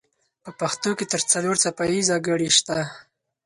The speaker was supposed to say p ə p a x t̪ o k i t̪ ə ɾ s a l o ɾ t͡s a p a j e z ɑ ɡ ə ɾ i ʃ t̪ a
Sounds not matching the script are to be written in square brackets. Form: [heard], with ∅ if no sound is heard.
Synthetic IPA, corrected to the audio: p ə p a x t̪ o k [e] t̪ ə ɾ [t͡s] a l o ɾ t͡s a p a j [i] z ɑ ɡ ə [ɽ] i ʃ t̪ a